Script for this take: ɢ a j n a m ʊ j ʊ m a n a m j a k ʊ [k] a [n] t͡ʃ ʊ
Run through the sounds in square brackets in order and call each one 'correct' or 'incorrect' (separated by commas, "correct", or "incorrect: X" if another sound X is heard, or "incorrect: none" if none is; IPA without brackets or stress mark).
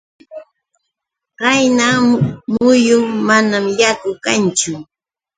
correct, correct